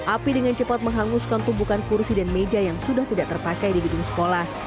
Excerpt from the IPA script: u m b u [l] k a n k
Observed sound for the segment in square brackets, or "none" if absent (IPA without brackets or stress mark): none